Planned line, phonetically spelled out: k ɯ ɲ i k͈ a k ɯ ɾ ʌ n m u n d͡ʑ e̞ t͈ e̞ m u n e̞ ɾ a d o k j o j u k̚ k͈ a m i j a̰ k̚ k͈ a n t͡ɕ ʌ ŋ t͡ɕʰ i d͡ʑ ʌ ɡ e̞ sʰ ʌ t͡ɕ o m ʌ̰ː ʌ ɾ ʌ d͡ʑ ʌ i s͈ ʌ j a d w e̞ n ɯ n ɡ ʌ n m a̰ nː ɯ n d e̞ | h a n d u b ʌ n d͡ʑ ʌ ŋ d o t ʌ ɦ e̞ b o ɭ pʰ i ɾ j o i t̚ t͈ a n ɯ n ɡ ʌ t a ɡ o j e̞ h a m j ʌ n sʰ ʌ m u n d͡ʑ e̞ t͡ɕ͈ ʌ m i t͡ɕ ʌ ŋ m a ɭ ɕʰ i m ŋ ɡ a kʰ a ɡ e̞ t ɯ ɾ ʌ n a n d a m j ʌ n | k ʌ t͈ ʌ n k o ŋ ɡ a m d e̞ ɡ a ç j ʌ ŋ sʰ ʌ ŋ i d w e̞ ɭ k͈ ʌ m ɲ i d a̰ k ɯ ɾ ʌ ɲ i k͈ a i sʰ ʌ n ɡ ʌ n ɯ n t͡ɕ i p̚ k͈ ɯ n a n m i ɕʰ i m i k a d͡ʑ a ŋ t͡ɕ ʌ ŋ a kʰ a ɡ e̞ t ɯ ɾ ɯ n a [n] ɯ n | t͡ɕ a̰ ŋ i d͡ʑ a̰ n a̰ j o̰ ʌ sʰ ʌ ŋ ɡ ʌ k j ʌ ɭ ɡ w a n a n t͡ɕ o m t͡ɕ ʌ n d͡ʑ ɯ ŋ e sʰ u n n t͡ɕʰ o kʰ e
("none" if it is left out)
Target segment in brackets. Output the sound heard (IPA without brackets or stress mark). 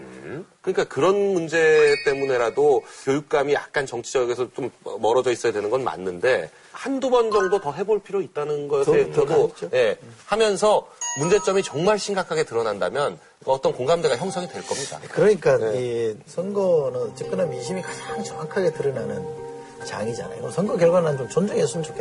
n